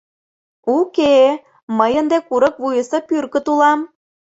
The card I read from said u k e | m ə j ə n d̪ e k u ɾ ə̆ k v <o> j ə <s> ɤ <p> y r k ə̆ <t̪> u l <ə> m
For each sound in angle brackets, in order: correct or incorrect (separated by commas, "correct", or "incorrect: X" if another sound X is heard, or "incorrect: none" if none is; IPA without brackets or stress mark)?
incorrect: u, correct, correct, correct, incorrect: ɑ